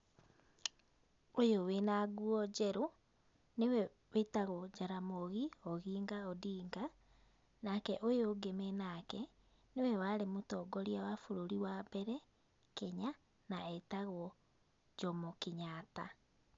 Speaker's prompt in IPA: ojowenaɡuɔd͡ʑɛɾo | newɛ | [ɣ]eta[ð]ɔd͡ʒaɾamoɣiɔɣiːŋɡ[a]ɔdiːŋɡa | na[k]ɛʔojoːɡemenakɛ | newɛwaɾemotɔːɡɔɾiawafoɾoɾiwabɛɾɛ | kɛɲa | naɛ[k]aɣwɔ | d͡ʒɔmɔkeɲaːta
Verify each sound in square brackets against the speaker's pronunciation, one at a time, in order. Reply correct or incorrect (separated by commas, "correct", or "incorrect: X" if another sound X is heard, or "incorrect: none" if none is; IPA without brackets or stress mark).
incorrect: w, incorrect: ɣ, correct, correct, incorrect: t